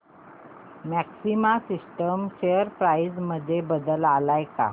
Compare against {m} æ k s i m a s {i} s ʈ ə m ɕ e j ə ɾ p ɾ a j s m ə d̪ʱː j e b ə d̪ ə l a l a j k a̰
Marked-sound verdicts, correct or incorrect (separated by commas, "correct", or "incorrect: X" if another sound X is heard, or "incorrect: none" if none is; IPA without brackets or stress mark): correct, correct